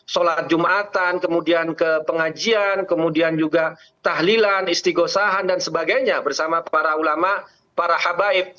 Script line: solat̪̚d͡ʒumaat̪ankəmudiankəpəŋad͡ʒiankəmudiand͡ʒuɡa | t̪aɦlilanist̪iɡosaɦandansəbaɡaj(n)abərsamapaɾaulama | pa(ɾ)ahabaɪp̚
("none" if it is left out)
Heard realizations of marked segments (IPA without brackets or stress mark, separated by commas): ɲ, ɾ